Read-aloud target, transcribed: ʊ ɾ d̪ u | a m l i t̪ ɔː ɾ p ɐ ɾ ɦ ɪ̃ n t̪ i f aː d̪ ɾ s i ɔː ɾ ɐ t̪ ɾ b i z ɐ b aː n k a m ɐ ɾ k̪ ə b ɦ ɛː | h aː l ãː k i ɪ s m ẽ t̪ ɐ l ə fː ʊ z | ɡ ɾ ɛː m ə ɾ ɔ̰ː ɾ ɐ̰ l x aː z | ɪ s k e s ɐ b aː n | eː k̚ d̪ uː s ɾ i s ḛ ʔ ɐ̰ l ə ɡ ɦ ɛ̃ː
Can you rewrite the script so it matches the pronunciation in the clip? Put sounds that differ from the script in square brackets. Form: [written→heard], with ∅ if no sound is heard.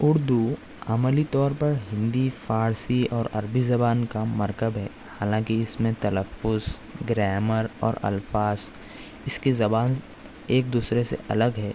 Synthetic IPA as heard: ʊ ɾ d̪ u | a m l i t̪ ɔː ɾ p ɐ ɾ ɦ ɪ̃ n [t̪→d̪] i f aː [d̪→∅] ɾ s i ɔː ɾ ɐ [t̪→∅] ɾ b i z ɐ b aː n k a m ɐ ɾ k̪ ə b ɦ ɛː | h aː l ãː k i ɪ s m ẽ t̪ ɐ l ə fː ʊ z | ɡ ɾ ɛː m ə ɾ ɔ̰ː ɾ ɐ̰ l [x→f] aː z | ɪ s k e [s→z] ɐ b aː n | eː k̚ d̪ uː s ɾ [i→e] s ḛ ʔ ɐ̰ l ə ɡ ɦ [ɛ̃ː→ɛː]

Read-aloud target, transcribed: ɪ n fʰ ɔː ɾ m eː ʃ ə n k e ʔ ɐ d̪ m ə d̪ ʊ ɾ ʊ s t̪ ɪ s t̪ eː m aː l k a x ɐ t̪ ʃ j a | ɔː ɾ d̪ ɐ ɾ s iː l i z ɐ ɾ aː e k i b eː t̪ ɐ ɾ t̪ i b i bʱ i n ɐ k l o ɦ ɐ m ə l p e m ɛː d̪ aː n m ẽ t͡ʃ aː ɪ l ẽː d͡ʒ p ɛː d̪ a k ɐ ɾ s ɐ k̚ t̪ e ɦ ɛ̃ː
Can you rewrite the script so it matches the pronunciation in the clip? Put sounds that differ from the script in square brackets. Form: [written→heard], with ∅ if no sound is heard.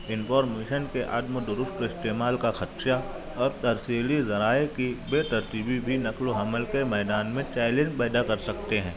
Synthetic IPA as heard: ɪ n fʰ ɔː ɾ m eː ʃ ə n k e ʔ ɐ d̪ m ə d̪ ʊ ɾ ʊ s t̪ ɪ s t̪ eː m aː l k a x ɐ t̪ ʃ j a | ɔː ɾ [d̪→t̪] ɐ ɾ s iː l i z ɐ ɾ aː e k i b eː t̪ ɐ ɾ t̪ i b i bʱ i n ɐ k l o ɦ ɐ m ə l [p→k] e m ɛː d̪ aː n m ẽ t͡ʃ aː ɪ l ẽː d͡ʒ p ɛː d̪ a k ɐ ɾ s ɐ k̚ t̪ e ɦ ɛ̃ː

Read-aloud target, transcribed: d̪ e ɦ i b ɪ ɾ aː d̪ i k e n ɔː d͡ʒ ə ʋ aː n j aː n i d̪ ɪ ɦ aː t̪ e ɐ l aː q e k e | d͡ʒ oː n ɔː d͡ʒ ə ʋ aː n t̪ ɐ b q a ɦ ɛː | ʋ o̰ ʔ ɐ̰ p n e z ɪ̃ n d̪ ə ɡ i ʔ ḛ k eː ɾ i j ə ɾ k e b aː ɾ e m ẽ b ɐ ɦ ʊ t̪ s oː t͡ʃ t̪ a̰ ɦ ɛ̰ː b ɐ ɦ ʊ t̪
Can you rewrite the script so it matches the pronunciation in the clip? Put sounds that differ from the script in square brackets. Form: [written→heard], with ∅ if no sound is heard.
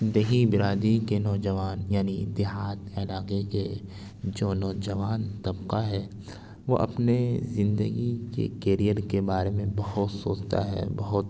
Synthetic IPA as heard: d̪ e ɦ i b ɪ ɾ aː d̪ i k e n ɔː d͡ʒ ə ʋ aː n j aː n i d̪ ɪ ɦ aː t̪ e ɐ l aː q e k e | d͡ʒ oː n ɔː d͡ʒ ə ʋ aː n t̪ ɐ b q a ɦ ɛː | ʋ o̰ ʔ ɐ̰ p n e z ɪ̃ n d̪ ə ɡ i [ʔ→k] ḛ k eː ɾ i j ə ɾ k e b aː ɾ e m ẽ b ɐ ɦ ʊ t̪ s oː t͡ʃ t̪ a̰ ɦ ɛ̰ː b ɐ ɦ ʊ t̪

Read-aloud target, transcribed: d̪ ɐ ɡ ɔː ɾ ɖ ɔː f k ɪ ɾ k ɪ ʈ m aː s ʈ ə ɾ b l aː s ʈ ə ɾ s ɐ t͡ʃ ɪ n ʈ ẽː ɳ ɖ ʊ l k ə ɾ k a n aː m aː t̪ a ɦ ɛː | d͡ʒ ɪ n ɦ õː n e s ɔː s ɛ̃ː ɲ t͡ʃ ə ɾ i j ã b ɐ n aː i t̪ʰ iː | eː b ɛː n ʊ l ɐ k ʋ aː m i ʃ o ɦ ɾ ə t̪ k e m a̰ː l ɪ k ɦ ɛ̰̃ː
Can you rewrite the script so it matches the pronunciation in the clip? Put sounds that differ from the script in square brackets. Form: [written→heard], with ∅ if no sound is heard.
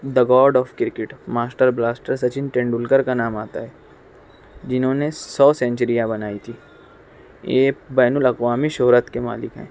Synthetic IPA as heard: d̪ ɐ ɡ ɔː ɾ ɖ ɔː f k ɪ ɾ k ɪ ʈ m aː s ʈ ə ɾ b l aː s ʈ ə ɾ s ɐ t͡ʃ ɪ n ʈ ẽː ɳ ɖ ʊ l k ə ɾ k a n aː m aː t̪ a ɦ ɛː | d͡ʒ ɪ n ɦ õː n e s ɔː s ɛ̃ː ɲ t͡ʃ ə ɾ i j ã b ɐ n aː i t̪ʰ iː | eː b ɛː n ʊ l ɐ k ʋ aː m i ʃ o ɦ ɾ ə t̪ k e m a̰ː l ɪ k ɦ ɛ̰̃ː

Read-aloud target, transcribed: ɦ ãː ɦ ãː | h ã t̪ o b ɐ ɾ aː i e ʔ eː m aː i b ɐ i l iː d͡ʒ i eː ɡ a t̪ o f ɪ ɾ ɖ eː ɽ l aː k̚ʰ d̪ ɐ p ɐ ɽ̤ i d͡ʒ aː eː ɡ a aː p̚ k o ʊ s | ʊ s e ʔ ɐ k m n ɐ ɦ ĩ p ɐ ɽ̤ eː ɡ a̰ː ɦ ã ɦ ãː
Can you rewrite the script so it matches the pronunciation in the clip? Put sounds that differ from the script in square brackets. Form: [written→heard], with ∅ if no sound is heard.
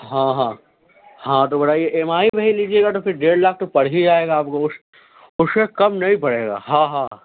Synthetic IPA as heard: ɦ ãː ɦ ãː | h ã t̪ o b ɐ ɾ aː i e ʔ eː m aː i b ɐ i l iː d͡ʒ i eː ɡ a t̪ o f ɪ ɾ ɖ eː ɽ l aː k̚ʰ [d̪→t̪] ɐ p ɐ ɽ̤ i d͡ʒ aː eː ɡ a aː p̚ k o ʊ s | ʊ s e [ʔ→k] ɐ [k→∅] m n ɐ ɦ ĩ p ɐ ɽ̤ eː ɡ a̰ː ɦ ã ɦ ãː

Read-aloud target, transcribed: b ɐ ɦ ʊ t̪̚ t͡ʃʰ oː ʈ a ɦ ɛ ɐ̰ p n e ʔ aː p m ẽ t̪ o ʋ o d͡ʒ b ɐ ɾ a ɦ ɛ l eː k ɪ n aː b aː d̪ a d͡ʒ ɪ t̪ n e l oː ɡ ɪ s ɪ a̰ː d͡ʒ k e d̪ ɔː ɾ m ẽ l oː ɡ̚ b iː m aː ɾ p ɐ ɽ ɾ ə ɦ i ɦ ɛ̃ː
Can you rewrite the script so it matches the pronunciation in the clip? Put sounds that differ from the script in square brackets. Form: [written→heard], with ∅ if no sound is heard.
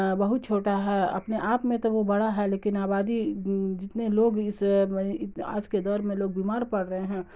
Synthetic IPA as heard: b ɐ ɦ ʊ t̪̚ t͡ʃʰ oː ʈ a ɦ ɛ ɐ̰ p n e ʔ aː p m ẽ t̪ o ʋ o [d͡ʒ→∅] b ɐ [ɾ→ɽ] a ɦ ɛ l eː k ɪ n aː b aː d̪ [a→i] d͡ʒ ɪ t̪ n e l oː ɡ ɪ s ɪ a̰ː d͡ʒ k e d̪ ɔː ɾ m ẽ l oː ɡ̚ b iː m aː ɾ p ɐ ɽ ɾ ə ɦ [i→e] ɦ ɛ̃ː

